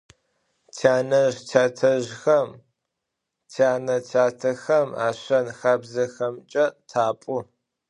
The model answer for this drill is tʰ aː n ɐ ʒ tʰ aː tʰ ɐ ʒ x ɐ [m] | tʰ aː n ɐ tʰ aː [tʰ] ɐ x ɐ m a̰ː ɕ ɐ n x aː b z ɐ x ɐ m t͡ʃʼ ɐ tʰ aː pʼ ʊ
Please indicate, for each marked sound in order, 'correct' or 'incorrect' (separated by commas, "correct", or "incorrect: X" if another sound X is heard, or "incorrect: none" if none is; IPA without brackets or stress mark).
correct, correct